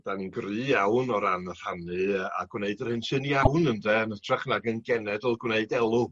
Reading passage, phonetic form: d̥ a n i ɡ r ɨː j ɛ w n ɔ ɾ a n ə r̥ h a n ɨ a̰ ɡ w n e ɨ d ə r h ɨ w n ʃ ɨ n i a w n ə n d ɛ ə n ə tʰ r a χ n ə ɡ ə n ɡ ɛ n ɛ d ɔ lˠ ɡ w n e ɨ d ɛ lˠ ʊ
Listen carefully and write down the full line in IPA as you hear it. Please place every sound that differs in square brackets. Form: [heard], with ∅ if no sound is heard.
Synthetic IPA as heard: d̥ a n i ɡ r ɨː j [a] w n ɔ ɾ a n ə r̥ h a n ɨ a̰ ɡ w n e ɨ d ə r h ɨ [∅] n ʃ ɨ n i a w n ə n d ɛ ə n ə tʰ r a χ n [a] ɡ ə n ɡ ɛ n ɛ d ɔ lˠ ɡ w n e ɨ d ɛ lˠ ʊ